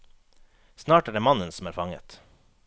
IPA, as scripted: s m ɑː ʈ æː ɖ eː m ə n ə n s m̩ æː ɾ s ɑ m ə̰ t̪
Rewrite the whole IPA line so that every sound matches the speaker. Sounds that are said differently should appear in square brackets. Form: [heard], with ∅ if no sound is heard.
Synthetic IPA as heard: s [n] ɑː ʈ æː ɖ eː m [ɑ] n ə n s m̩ æː ɾ [f] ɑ [ŋ] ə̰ t̪